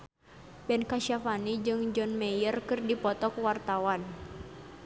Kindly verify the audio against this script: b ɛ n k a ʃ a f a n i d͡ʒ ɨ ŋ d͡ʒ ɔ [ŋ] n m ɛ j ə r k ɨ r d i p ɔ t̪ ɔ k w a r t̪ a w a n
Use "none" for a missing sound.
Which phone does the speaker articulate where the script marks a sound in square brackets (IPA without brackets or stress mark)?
none